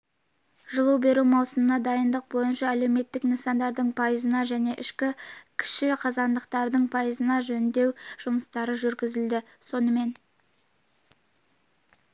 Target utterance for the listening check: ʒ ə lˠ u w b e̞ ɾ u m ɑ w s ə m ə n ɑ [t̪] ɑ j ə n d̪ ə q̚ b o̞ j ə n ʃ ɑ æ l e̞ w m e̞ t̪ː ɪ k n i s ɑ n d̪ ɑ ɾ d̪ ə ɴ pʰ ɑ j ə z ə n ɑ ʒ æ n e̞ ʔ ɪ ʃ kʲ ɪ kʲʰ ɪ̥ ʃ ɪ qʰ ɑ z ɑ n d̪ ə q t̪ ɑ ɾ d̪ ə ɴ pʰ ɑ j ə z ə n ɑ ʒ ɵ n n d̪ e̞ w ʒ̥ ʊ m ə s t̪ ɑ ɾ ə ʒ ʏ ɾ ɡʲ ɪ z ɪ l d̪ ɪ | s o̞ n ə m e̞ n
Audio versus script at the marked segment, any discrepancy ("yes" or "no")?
yes